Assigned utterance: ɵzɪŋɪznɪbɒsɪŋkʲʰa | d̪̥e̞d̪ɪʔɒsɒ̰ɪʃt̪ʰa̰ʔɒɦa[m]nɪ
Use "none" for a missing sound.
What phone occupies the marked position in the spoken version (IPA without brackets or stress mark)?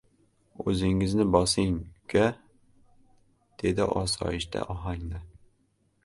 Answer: ŋ